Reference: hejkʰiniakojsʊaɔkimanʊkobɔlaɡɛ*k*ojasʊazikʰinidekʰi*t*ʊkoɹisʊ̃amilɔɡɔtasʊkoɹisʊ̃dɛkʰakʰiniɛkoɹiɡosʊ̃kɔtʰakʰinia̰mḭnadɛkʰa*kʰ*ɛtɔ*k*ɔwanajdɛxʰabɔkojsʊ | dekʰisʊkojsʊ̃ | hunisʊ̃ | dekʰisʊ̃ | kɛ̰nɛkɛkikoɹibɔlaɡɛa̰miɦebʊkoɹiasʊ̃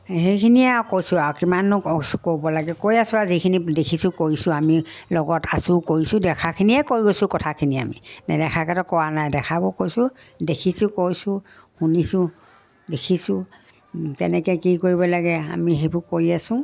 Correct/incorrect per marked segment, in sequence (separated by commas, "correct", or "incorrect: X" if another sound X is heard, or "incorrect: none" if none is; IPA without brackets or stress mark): correct, incorrect: s, incorrect: k, correct